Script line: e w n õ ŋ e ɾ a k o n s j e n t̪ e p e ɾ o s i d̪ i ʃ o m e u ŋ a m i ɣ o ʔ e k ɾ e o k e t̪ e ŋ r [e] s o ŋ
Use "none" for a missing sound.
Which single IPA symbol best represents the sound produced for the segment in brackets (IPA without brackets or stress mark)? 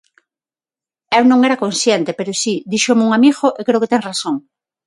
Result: a